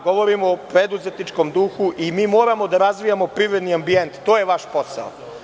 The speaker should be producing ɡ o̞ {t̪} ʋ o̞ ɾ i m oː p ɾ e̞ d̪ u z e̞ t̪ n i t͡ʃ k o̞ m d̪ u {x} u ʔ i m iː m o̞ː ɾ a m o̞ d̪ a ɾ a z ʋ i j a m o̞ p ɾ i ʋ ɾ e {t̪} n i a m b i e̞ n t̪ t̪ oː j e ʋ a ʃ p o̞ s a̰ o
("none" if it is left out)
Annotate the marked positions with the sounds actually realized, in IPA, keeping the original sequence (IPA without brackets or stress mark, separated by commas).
none, x, d̪